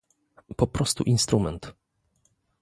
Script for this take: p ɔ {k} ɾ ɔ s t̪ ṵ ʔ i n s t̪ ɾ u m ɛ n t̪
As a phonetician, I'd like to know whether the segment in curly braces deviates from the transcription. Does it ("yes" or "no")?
yes